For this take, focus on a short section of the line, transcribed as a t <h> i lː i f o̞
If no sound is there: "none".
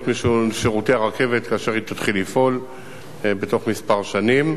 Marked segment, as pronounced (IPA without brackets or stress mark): χ